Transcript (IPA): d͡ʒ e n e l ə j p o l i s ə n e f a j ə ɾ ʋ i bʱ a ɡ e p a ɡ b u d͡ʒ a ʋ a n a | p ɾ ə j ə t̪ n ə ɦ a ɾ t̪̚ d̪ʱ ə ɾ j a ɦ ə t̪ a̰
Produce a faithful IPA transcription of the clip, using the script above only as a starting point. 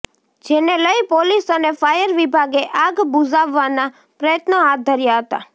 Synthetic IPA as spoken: d͡ʒ e n e l ə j p o l i s ə n e f a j ə ɾ ʋ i bʱ a ɡ e ʔ a ɡ b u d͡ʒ a ʋː a n a | p ɾ ə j ə t̪ n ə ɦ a t̪̚ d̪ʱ ə ɾ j a ɦ ə t̪ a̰

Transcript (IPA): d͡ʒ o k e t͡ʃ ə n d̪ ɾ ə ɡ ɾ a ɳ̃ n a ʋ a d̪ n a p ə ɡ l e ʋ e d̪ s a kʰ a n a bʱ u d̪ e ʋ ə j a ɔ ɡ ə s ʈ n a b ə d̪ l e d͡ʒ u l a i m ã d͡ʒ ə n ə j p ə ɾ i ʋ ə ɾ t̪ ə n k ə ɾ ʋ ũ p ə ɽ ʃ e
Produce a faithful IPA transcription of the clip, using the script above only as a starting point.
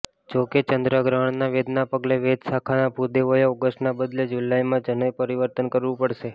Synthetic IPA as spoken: d͡ʒ o k e t͡ʃ ə n d̪ ɾ ə ɡ ɾ a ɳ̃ n a ʋ e d̪ n a p ə ɡ l e ʋ e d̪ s a kʰ a n a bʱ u d̪ e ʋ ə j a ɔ ɡ ə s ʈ n a b ə d̪ l e d͡ʒ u l a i m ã d͡ʒ ə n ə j p ə ɾ i ʋ ə ɾ t̪ ə n k ə ɾ ʋ ũ p ə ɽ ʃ e

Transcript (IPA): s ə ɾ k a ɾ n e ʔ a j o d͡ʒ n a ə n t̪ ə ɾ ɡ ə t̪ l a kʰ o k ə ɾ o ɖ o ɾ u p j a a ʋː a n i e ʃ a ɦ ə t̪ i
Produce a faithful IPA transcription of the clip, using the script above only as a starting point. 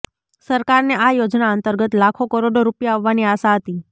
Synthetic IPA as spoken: s ə ɾ k a ɾ n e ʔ a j o d͡ʒ n a ə n t̪ ə ɾ ɡ ə t̪ l a kʰ o k ə ɾ o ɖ o ɾ u p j a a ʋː a n i a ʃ a ɦ ə t̪ i

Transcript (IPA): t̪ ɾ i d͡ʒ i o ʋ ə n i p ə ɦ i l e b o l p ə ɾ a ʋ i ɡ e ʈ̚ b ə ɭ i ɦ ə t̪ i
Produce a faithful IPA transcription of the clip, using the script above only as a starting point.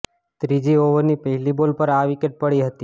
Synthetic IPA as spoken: t̪ ɾ i d͡ʒ i o ʋ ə n i p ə ɦ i l i b o l p ə ɾ a ʋ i k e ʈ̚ p ə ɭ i ɦ ə t̪ i

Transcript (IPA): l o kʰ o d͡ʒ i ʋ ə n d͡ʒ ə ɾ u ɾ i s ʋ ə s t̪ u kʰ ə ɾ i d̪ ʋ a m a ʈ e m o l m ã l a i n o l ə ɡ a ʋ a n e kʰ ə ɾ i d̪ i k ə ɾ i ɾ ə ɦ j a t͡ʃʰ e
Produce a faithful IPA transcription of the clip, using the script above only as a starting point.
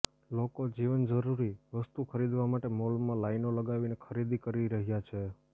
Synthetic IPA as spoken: l o k o d͡ʒ i ʋ ə n d͡ʒ ə ɾ u ɾ i ʋ ə s t̪ u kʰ ə ɾ i d̪ ʋ a m a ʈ e m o l m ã l a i n o l ə ɡ a ʋ i n e kʰ ə ɾ i d̪ i k ə ɾ i ɾ ə ɦ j a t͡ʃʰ e

